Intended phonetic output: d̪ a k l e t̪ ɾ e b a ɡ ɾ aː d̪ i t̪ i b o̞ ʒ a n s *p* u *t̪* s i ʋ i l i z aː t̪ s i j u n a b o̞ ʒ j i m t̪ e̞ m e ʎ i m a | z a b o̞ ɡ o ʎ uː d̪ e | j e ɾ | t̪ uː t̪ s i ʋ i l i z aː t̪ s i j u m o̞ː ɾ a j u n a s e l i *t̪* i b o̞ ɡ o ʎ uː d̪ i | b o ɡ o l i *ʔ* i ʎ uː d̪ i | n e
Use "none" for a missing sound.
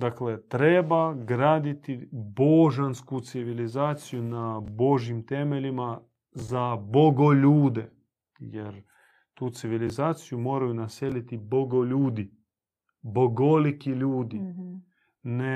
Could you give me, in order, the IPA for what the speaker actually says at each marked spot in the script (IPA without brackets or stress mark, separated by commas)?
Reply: k, t̪, t̪, k